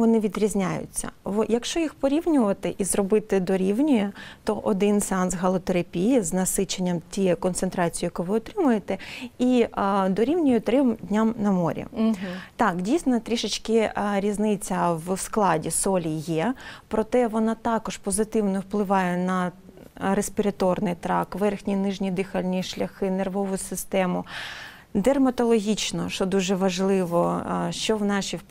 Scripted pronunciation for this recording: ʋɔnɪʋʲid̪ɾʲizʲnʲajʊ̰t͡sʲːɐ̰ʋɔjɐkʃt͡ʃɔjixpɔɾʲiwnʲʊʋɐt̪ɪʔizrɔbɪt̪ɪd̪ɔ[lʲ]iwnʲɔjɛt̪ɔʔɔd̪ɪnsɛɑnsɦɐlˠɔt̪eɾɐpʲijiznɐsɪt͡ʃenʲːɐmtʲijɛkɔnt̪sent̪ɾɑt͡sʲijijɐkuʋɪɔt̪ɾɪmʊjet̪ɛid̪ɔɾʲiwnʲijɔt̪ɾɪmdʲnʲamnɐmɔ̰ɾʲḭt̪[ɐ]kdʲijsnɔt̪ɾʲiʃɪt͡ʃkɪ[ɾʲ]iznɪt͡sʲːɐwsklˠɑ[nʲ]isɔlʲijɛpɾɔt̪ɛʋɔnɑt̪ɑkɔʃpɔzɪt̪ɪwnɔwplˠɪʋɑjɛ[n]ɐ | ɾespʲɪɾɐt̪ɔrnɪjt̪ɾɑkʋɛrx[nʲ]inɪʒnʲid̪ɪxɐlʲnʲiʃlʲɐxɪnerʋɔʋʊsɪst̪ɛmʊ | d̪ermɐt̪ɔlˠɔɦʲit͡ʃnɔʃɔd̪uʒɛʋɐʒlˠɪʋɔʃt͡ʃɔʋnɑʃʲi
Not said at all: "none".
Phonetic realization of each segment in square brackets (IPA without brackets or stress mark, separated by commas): ɾʲ, ɑ, ɾʲ, dʲ, n, nʲ